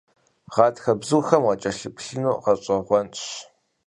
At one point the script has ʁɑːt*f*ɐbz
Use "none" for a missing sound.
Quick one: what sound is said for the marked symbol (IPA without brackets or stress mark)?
x